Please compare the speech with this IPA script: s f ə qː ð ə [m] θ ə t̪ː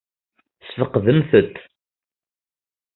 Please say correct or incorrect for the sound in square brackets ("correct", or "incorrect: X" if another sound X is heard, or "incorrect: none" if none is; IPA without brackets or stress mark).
correct